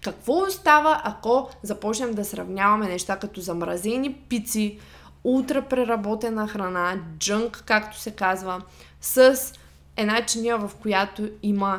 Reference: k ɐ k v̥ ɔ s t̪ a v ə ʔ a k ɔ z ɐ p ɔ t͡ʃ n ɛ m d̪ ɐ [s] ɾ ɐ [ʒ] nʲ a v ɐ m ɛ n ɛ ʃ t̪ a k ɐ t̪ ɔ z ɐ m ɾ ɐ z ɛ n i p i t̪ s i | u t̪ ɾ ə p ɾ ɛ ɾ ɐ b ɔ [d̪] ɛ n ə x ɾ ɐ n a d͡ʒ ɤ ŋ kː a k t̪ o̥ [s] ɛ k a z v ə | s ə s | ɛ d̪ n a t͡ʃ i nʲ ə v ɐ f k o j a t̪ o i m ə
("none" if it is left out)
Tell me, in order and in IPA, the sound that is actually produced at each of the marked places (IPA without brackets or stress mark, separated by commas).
s, v, t̪, s